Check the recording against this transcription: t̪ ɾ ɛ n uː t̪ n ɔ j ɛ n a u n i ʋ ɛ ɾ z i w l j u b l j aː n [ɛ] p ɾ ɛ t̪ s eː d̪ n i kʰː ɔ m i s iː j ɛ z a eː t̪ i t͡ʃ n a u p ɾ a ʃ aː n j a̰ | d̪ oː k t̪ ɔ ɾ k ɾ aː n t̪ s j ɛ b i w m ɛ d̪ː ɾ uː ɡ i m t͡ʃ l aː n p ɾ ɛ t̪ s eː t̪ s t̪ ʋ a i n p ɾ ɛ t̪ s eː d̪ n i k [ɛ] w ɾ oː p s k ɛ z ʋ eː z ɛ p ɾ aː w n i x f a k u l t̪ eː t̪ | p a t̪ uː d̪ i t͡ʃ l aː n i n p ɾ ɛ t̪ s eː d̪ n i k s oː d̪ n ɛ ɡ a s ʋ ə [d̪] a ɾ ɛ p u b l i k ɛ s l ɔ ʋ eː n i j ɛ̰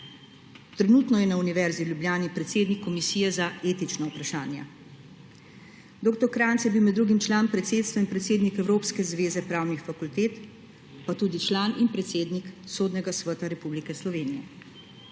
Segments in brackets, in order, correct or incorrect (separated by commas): incorrect, correct, incorrect